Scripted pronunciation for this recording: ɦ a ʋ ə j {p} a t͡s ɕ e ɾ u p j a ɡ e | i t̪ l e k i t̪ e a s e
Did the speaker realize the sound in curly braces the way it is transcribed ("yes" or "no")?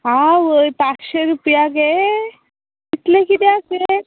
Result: yes